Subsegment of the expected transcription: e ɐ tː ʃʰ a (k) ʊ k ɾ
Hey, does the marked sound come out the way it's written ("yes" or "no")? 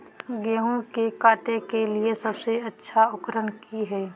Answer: no